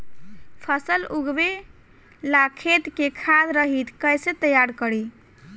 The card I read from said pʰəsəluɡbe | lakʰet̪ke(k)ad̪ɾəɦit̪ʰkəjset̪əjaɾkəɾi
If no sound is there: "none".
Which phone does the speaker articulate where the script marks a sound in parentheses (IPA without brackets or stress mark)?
kʰ